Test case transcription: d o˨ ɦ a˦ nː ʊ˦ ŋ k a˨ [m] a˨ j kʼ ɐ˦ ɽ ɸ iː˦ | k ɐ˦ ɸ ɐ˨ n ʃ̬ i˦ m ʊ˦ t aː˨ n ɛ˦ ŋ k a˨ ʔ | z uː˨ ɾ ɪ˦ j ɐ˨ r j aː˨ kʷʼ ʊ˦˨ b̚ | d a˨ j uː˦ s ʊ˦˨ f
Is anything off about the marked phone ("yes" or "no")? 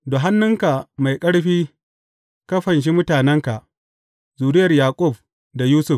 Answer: no